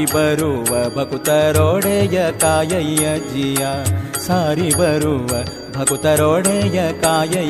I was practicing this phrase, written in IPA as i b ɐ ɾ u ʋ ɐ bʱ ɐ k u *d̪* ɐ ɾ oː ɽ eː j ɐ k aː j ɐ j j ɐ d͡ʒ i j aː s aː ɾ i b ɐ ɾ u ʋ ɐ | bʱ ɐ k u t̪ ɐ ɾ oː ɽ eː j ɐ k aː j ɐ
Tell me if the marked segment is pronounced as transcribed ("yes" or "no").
no